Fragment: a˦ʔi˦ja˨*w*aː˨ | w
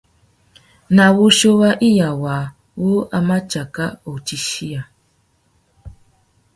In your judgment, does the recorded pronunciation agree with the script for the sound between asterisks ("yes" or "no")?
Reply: yes